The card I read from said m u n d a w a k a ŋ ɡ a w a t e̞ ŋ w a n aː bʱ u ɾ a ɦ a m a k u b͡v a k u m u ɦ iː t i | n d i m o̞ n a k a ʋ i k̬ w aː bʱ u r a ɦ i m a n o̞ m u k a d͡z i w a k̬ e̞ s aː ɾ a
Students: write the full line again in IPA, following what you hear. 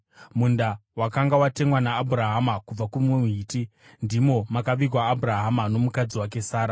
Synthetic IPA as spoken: m u n d a w a k a ŋ ɡ a w a t e̞ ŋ w a n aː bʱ u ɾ a ɦ a m a k u b͡v a k u m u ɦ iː t i | n d i m o̞ m a k a ʋ i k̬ w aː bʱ u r a ɦ a m a n o̞ m u k a d͡z i w a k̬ e̞ s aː ɾ a